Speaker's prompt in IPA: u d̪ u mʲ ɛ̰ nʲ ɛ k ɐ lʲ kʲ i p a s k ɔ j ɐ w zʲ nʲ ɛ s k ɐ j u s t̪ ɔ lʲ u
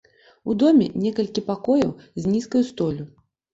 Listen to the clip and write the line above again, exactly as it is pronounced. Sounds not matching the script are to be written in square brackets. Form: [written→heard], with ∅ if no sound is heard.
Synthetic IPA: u d̪ [u→ɔ] mʲ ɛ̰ nʲ ɛ k ɐ lʲ kʲ i p a [s→∅] k ɔ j ɐ w zʲ nʲ [ɛ→i] s k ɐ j u s t̪ ɔ lʲ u